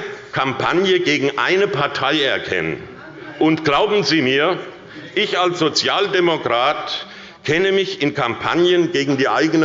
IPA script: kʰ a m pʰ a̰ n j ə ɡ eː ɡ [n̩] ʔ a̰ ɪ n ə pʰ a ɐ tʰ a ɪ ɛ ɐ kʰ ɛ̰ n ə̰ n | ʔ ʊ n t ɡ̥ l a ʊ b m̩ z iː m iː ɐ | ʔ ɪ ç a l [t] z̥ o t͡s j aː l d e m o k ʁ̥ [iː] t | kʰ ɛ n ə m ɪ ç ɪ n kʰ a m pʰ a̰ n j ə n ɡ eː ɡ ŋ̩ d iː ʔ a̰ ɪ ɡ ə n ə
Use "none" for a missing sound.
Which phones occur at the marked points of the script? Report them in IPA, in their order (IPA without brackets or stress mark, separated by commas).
ŋ̩, s, aː